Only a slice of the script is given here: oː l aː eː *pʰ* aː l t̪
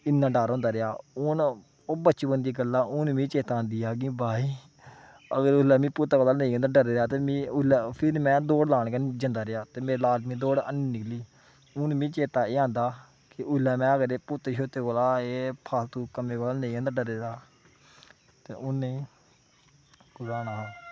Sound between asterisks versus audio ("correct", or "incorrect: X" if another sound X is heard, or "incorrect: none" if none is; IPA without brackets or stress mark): correct